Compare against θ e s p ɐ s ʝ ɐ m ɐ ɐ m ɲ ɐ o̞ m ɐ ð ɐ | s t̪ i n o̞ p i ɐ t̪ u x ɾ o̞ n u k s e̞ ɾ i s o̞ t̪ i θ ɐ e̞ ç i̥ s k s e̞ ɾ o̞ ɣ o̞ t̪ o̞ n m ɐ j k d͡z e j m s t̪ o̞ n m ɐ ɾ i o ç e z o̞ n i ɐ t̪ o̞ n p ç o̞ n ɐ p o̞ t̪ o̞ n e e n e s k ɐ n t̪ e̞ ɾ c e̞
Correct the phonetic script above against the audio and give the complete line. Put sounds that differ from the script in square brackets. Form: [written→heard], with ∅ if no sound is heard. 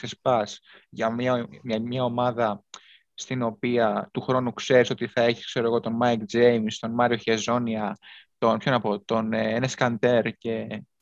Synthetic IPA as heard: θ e s p ɐ s ʝ ɐ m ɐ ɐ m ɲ ɐ o̞ m ɐ ð ɐ | s t̪ i n o̞ p i ɐ t̪ u x ɾ o̞ n u k s e̞ ɾ i s o̞ t̪ i θ ɐ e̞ ç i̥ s k s e̞ ɾ o̞ ɣ o̞ t̪ o̞ n m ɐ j k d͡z e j m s t̪ o̞ n m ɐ ɾ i o ç e z o̞ n i ɐ t̪ o̞ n p ç o̞ n ɐ p o̞ t̪ o̞ n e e n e s k ɐ n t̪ e̞ ɾ c e̞